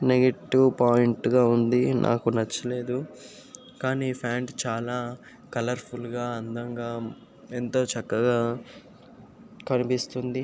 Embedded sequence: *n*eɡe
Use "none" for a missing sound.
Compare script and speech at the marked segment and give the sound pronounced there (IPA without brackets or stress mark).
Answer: n